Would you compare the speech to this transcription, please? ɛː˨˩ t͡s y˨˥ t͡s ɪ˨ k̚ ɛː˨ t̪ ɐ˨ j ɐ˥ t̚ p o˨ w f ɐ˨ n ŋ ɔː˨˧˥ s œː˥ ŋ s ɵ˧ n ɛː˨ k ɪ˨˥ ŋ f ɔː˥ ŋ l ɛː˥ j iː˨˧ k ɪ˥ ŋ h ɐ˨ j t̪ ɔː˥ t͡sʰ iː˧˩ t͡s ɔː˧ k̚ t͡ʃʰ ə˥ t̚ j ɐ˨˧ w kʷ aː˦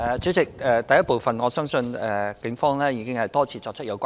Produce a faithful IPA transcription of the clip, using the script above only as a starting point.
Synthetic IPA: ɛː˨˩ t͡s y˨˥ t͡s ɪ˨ k̚ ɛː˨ t̪ ɐ˨ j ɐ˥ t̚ p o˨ w f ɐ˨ n ŋ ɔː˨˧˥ s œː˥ ŋ s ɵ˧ n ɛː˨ k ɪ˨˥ ŋ f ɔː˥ ŋ l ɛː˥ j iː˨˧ k ɪ˥ ŋ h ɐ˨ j t̪ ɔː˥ t͡sʰ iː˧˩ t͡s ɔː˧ k̚ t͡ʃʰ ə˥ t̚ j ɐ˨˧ w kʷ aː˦

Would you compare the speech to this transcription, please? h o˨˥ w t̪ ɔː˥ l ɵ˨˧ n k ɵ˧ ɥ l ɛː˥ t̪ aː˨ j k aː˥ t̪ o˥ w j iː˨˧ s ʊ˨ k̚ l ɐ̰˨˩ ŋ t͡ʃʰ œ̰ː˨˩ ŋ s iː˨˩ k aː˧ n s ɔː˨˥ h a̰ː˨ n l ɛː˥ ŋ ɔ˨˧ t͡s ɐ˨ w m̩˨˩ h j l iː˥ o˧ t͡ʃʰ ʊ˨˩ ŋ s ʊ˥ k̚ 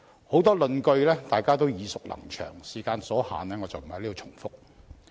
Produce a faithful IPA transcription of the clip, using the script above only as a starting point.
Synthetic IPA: h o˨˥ w t̪ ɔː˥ l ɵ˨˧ n k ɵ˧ ɥ l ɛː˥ t̪ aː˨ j k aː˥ t̪ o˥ w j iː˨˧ s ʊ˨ k̚ l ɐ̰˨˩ ŋ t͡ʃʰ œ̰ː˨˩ ŋ s iː˨˩ k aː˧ n s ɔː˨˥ h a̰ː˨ n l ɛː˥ ŋ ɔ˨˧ t͡s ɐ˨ w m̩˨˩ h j l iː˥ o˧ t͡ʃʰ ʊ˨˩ ŋ f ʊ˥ k̚

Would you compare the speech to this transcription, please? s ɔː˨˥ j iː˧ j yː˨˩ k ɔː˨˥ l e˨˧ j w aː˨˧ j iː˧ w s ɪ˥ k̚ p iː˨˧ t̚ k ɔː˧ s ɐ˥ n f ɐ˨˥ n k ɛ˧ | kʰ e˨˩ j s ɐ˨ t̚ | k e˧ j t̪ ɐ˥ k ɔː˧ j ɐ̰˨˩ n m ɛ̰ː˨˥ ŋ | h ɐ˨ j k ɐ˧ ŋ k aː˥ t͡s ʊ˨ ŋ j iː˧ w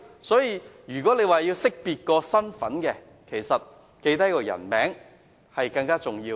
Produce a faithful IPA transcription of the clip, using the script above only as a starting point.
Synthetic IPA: s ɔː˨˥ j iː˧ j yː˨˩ k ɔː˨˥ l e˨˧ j w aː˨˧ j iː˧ w s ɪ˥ k̚ p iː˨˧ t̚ k ɔː˧ s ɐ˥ n f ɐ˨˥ n k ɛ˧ | kʰ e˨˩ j s ɐ˨ t̚ | k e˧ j t̪ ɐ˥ k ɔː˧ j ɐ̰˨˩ n m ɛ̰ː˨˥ ŋ | h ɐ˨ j k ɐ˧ ŋ k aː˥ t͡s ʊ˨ ŋ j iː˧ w

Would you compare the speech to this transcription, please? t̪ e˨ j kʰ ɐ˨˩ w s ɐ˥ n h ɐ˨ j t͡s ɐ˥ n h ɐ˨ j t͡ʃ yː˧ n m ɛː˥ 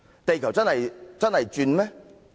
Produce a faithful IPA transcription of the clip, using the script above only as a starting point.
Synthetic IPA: t̪ e˨ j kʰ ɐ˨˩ w t͡s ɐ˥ n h ɐ˨ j t͡s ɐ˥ n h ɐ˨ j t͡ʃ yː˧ n m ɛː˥

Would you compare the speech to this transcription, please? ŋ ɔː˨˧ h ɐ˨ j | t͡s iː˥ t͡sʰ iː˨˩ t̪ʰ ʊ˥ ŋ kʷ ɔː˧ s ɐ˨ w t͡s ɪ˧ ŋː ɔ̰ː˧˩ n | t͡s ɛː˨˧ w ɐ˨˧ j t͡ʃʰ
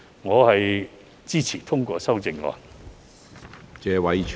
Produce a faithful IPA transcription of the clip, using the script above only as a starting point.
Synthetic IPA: ŋ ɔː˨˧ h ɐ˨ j | t͡s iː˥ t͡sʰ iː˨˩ t̪ʰ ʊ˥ ŋ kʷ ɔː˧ s ɐ˥ w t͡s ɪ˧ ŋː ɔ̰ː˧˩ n | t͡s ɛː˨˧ w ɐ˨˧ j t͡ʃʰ

